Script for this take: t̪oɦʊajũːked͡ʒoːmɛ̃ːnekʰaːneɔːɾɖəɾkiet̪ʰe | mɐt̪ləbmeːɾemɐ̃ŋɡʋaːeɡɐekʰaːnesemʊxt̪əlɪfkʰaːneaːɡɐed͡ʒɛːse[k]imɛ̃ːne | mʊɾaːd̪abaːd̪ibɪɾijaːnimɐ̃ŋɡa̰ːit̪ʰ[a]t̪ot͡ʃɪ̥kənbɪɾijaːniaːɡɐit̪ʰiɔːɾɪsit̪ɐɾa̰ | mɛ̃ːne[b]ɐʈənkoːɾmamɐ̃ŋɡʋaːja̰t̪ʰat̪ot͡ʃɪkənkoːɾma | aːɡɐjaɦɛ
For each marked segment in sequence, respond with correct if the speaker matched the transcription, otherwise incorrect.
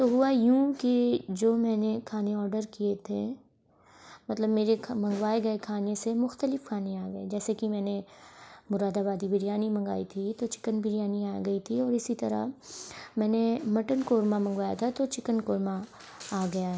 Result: correct, incorrect: i, incorrect: m

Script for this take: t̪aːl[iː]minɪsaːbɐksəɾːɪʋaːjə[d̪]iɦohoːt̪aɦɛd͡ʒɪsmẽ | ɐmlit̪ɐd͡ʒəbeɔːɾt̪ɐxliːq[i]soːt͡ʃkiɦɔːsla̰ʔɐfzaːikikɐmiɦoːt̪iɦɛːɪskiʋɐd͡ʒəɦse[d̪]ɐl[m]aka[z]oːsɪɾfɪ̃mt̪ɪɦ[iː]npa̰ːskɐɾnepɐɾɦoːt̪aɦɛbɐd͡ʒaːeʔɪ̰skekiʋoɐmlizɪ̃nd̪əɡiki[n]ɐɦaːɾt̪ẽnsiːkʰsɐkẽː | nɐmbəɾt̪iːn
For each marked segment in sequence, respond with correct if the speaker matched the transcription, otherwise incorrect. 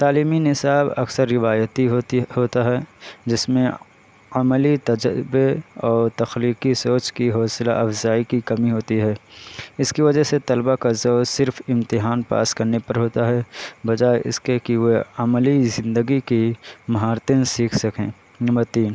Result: correct, incorrect: t̪, correct, incorrect: t̪, incorrect: b, correct, incorrect: aː, incorrect: m

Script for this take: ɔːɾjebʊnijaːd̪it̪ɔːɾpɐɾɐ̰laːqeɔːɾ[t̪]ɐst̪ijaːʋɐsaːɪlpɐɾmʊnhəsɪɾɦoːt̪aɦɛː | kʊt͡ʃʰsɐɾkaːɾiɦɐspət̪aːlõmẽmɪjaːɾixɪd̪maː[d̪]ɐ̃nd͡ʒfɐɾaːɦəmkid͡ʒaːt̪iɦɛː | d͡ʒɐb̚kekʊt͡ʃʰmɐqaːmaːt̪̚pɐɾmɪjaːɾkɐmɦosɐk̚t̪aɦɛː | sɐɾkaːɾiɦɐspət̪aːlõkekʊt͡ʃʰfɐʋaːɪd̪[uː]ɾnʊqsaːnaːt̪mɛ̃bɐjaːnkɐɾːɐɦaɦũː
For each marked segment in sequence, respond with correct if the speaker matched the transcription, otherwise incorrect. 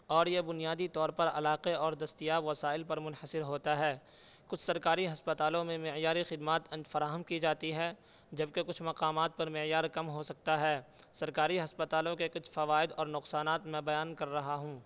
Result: incorrect: d̪, incorrect: t̪, incorrect: ɔː

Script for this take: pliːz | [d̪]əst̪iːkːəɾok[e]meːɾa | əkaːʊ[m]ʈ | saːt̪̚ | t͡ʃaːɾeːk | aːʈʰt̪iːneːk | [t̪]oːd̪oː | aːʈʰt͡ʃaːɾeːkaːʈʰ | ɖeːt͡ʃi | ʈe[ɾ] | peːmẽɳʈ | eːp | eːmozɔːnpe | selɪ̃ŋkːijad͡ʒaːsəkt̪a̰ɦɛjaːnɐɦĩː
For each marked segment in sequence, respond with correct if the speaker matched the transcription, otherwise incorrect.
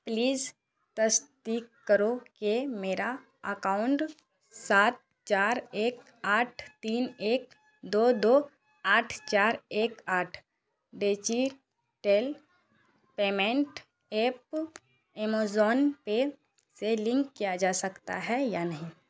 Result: incorrect: t̪, correct, incorrect: ɳ, incorrect: d̪, incorrect: l

